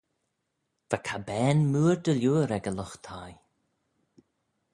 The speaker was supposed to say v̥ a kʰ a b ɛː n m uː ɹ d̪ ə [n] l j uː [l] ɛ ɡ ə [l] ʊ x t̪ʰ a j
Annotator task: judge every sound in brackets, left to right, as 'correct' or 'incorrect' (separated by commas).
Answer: incorrect, incorrect, correct